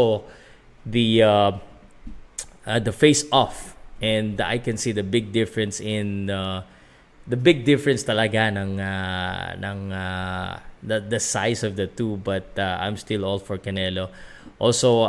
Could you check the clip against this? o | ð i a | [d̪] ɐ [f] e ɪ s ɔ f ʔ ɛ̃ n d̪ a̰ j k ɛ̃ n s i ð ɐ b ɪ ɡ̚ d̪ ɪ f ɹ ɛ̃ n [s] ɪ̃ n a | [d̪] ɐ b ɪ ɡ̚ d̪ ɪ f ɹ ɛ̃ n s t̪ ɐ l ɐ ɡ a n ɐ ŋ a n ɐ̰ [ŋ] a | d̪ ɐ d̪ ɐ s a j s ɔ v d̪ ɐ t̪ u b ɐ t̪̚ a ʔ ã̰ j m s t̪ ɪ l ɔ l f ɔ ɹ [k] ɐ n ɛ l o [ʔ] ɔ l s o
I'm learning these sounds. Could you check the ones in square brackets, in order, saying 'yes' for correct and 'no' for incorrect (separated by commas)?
yes, yes, yes, yes, yes, yes, yes